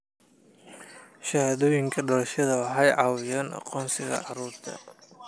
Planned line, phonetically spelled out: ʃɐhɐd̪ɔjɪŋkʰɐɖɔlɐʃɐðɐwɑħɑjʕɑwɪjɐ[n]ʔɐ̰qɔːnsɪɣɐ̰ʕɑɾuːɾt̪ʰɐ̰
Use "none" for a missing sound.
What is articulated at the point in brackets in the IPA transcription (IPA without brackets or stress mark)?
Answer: n